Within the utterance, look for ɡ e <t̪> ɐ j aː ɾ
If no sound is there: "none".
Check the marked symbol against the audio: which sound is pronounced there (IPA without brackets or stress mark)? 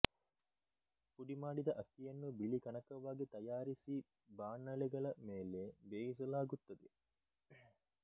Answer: t̪